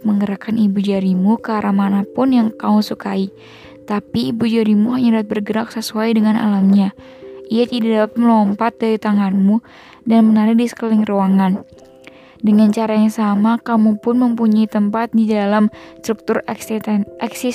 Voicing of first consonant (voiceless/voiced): voiced